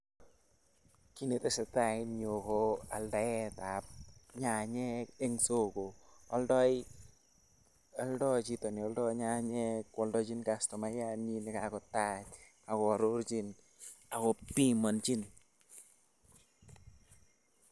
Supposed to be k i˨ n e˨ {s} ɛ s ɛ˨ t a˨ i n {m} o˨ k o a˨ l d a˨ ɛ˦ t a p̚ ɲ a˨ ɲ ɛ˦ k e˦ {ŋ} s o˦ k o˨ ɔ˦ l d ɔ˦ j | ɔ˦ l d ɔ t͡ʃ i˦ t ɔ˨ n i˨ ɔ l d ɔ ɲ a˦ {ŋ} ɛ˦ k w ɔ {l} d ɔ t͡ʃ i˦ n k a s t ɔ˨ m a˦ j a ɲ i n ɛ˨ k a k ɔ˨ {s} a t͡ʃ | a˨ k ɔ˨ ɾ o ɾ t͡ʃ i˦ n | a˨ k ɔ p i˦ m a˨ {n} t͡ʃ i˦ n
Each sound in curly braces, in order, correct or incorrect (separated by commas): incorrect, incorrect, correct, incorrect, correct, incorrect, correct